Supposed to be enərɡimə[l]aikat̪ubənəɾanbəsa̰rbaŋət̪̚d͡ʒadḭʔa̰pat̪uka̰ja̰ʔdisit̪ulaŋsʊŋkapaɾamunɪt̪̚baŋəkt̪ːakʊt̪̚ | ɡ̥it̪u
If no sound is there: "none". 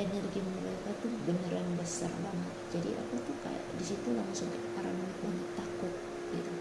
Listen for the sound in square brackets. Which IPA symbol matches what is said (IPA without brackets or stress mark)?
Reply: ɾ